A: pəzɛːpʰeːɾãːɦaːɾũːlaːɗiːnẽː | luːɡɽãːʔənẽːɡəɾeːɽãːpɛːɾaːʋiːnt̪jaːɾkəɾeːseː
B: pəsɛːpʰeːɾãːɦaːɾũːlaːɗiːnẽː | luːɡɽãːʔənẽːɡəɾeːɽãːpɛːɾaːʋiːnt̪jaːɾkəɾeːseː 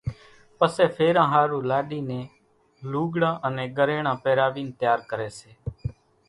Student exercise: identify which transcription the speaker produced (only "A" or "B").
B